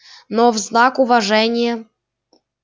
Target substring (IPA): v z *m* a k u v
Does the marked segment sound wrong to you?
yes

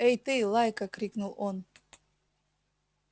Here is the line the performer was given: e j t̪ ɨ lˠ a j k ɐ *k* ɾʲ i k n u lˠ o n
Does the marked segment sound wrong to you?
no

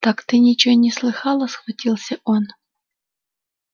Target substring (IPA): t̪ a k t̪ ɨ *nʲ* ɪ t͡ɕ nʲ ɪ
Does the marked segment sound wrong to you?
no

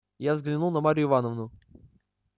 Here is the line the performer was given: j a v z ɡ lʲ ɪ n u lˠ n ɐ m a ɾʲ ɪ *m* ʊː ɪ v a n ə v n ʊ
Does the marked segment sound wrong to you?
yes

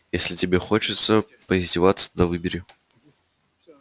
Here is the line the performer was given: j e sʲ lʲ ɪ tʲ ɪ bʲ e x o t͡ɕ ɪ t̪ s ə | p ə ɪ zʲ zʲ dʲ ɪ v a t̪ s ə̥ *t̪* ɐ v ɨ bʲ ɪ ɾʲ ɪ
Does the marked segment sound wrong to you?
yes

